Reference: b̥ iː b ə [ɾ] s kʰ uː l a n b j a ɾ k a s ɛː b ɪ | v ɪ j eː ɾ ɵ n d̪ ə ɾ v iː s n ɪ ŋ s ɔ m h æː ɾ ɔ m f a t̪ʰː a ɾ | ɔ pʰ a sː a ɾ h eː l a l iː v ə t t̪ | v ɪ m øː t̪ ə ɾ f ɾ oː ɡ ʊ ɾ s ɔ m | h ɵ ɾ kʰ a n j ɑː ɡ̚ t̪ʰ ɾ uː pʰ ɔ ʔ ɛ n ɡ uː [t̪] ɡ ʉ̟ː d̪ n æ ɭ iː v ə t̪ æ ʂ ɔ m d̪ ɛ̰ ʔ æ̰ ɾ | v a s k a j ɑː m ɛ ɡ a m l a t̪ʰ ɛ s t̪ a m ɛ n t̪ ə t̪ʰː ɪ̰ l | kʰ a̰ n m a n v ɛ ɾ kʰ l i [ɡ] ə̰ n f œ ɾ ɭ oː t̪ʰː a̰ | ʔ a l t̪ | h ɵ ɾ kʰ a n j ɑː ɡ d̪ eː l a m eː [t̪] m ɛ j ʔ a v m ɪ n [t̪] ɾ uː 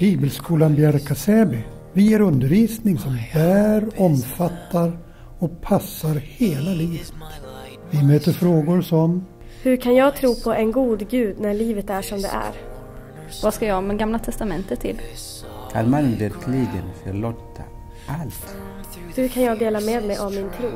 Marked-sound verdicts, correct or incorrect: incorrect: l, incorrect: d̪, correct, incorrect: d̪, incorrect: t̪ʰ

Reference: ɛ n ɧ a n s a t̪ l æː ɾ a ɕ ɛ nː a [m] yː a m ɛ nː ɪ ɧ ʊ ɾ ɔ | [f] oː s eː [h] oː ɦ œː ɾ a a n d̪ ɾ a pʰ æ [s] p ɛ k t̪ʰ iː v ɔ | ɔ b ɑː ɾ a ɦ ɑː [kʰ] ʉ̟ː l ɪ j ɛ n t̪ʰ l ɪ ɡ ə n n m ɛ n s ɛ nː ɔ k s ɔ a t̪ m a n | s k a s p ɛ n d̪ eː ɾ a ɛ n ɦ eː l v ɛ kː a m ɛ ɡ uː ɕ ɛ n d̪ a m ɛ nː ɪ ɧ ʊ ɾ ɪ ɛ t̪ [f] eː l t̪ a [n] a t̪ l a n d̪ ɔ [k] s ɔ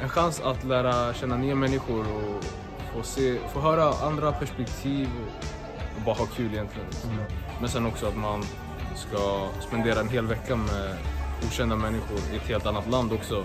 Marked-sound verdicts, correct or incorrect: incorrect: n, correct, incorrect: f, incorrect: ʂ, correct, incorrect: h, incorrect: nː, correct

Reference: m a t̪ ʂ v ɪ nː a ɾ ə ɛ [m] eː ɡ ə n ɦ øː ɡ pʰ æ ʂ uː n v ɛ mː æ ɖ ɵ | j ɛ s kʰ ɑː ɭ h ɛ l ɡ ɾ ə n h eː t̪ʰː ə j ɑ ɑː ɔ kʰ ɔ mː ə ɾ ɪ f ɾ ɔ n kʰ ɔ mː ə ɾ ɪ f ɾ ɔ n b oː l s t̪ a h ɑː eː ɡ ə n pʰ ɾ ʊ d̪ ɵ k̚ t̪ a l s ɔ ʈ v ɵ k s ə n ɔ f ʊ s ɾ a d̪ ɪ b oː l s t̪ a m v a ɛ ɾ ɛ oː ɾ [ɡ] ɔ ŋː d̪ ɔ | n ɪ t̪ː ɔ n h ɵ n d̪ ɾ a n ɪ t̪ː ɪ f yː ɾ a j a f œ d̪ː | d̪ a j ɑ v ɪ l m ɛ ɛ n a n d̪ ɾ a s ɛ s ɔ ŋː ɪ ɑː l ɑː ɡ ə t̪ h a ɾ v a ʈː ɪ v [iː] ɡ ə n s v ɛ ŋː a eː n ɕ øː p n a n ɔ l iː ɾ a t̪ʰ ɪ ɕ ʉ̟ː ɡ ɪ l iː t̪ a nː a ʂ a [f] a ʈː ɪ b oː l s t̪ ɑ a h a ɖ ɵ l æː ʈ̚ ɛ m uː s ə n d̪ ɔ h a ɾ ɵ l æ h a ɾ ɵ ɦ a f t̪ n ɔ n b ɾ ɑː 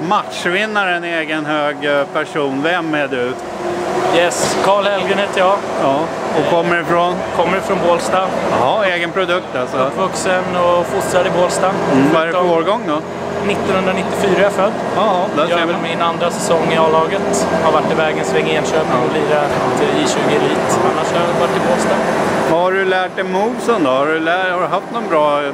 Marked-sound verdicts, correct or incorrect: incorrect: n, correct, incorrect: ɛː, incorrect: v

